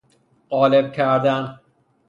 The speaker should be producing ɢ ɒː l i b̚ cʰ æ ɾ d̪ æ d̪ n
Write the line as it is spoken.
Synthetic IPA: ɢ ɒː l e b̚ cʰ æ ɾ d̪ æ n